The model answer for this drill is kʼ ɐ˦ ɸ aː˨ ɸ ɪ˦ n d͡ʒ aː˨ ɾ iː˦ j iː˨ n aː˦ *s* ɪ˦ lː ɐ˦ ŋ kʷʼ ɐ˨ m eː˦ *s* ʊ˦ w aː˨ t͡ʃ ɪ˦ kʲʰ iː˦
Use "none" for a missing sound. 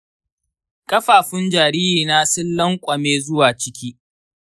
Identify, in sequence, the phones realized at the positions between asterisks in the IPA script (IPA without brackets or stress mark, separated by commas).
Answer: s, z